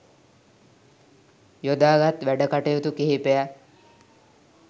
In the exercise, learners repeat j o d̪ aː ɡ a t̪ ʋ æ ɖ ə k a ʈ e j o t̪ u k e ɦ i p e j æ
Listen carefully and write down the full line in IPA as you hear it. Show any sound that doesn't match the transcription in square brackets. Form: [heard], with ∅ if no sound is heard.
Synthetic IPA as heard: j o d̪ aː ɡ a t̪ ʋ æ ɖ ə k a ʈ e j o t̪ u k e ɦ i p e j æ